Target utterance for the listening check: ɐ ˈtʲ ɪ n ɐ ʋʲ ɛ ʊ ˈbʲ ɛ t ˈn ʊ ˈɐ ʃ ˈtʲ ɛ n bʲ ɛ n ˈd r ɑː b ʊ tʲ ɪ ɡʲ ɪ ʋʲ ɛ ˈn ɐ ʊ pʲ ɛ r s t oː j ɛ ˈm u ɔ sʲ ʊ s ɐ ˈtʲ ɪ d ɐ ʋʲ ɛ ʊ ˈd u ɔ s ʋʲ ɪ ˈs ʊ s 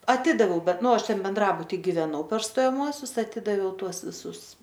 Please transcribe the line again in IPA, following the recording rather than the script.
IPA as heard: ɐ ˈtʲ ɪ d ɐ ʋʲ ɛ ʊ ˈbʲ ɛ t ˈn ʊ ˈɐ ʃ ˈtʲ ɛ n bʲ ɛ n ˈd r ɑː b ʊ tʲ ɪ ɡʲ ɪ ʋʲ ɛ ˈn ɐ ʊ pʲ ɛ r s t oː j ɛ ˈm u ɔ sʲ ʊ s ɐ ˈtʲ ɪ d ɐ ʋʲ ɛ ʊ ˈt u ɔ s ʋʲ ɪ ˈs ʊ s